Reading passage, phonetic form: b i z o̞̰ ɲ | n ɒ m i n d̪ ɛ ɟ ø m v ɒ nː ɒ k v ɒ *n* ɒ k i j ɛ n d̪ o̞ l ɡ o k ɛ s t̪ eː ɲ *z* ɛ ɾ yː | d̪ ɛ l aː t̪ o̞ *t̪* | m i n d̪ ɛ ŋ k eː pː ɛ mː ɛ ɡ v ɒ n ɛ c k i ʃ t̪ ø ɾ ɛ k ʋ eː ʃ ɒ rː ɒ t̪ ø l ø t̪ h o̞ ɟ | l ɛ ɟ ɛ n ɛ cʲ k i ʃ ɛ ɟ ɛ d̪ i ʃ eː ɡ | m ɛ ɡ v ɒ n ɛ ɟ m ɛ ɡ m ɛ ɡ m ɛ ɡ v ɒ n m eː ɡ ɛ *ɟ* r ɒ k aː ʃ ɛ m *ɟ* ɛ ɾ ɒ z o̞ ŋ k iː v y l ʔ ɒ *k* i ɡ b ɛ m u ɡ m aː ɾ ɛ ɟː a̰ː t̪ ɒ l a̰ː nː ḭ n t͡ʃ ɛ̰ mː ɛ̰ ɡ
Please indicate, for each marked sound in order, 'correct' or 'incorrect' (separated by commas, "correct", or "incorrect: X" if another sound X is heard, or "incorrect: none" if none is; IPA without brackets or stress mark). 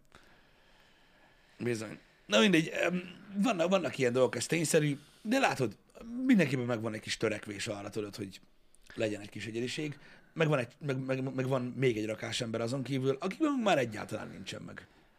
incorrect: nː, incorrect: s, incorrect: d̪, correct, incorrect: b, correct